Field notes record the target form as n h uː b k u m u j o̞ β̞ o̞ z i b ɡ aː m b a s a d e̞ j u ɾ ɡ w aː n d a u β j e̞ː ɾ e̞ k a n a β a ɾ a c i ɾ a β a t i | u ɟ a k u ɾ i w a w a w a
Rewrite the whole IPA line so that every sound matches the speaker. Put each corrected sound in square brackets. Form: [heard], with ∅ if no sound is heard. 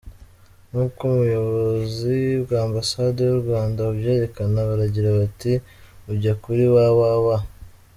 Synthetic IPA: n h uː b k u m u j o̞ β̞ o̞ z i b ɡ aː m b a s a d e̞ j u ɾ ɡ w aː n d a u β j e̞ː ɾ e̞ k a n a β a ɾ a [ɟ] i ɾ a β a t i | u ɟ a k u ɾ i w a w a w a